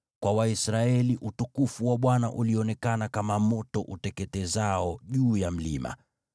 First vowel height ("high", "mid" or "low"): low